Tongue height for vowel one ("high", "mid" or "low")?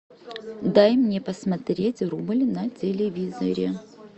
low